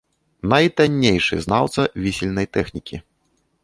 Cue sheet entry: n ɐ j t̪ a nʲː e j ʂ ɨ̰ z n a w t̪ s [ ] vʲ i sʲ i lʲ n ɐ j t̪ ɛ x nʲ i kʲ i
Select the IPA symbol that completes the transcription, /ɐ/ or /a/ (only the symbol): ɐ